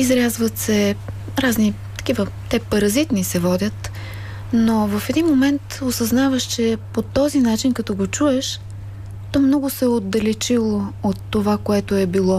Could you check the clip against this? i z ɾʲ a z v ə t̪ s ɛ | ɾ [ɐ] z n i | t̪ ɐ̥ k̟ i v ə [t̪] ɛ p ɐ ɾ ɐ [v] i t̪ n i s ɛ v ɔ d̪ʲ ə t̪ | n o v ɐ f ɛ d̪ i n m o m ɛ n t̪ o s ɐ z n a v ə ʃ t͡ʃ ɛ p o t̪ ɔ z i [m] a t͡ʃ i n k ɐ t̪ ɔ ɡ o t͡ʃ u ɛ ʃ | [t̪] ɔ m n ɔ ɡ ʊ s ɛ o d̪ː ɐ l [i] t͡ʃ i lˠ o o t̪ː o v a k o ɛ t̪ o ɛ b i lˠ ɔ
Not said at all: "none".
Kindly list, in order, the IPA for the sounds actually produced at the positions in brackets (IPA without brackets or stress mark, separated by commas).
a, t̪, z, n, t̪, ɛ